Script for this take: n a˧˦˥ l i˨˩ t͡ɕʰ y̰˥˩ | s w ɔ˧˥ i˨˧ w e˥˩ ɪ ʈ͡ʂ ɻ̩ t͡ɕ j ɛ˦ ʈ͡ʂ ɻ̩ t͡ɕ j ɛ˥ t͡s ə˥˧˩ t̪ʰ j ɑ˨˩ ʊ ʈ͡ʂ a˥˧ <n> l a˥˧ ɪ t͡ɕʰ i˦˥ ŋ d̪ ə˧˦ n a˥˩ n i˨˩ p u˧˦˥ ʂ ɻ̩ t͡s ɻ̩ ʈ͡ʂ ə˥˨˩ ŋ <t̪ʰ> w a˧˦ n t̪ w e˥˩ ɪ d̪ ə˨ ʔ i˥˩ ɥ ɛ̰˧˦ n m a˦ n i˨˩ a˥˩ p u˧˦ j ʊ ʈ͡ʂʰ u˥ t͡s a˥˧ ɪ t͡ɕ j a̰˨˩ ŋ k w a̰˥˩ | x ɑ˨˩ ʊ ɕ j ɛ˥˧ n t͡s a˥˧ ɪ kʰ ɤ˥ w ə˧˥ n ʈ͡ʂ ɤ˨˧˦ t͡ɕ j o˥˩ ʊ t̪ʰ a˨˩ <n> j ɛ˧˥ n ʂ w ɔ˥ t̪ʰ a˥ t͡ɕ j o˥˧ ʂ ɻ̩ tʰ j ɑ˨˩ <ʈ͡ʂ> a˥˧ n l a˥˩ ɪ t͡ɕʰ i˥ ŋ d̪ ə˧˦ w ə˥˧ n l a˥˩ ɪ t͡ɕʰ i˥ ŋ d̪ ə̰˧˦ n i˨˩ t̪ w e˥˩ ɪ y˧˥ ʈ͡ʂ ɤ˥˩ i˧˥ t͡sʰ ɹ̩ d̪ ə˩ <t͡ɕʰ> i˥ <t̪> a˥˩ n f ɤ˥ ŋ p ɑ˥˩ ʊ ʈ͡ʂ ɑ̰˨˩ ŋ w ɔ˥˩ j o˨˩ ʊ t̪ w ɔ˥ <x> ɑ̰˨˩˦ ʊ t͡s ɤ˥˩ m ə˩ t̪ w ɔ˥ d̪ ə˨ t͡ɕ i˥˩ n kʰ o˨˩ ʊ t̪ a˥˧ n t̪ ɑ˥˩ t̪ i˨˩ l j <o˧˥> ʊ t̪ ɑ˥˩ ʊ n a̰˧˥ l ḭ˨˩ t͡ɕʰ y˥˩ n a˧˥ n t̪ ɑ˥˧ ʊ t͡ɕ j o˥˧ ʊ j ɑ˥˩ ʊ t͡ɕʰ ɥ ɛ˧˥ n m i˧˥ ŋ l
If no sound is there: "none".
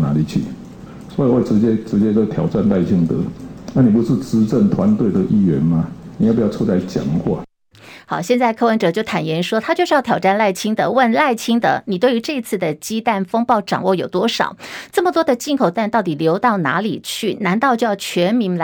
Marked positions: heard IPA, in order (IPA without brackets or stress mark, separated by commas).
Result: n, t̪ʰ, n, ʈ͡ʂ, t͡ɕ, t̪, ʂ, o˧˥